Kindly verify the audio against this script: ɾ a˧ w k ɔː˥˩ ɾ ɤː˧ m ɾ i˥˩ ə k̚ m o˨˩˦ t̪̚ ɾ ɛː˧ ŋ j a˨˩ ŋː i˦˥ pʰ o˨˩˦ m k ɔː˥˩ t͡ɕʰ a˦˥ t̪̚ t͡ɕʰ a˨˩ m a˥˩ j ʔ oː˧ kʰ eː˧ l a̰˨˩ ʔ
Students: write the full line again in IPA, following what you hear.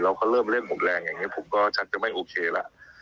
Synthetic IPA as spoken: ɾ a˧ w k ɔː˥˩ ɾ ɤː˥˩ m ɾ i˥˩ ə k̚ m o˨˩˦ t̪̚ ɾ ɛː˧ ŋ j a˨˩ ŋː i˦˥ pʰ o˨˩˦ m k ɔː˥˩ t͡ɕʰ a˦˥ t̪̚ t͡ɕ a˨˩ m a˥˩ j ʔ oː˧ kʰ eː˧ l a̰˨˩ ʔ